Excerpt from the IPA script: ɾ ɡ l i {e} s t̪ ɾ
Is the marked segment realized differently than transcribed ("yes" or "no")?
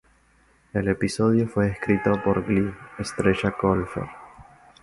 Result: no